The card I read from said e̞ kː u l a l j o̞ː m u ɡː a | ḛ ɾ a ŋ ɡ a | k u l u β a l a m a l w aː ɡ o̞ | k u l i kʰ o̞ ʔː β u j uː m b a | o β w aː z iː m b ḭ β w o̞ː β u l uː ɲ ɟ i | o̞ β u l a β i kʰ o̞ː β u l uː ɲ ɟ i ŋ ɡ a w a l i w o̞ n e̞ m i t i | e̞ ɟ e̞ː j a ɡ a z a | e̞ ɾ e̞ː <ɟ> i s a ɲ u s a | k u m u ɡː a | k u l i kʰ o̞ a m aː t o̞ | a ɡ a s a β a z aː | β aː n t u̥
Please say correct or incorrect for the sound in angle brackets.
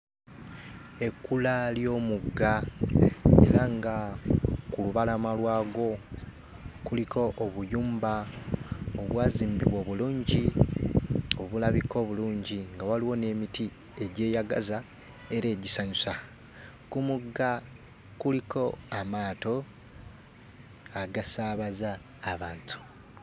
correct